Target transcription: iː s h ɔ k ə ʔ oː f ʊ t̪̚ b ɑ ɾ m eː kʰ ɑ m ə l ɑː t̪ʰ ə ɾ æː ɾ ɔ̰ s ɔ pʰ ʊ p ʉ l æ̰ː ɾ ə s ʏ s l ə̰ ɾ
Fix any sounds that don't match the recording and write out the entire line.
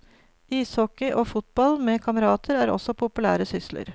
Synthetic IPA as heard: iː s h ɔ k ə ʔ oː f ʊ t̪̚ b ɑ l m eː kʰ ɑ m ə ɾ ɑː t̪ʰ ə ɾ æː ɾ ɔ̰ s ɔ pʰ ʊ p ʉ l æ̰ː ɾ ə s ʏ s l ə̰ ɾ